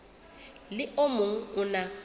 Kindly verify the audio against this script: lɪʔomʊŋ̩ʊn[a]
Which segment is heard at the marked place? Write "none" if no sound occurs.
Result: a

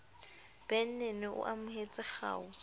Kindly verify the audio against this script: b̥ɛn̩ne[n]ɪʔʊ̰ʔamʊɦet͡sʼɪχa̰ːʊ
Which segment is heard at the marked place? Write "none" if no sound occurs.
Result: n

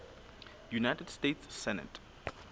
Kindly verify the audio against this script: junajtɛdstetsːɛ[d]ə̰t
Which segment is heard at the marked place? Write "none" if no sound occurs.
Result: n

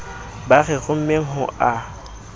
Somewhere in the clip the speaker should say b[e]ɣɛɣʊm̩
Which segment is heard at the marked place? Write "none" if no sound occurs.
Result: a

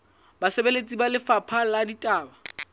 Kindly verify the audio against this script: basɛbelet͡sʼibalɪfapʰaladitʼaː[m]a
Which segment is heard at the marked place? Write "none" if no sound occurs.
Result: b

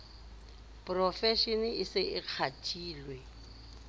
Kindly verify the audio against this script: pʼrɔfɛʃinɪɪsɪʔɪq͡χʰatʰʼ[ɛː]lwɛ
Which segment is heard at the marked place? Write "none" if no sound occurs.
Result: iː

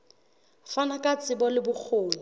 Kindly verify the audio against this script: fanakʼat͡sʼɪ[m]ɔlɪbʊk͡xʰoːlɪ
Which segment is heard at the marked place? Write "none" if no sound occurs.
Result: b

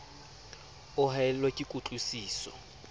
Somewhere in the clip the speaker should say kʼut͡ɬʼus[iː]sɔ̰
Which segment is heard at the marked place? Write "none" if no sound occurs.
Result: iː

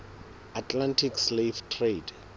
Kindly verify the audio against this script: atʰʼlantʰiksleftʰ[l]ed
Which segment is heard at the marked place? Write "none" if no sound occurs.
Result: r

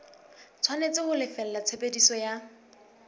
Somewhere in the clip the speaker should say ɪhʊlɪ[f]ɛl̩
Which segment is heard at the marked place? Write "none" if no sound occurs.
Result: f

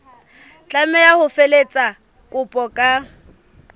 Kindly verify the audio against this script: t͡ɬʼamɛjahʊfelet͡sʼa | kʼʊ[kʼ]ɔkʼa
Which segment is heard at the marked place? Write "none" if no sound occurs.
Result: pʼ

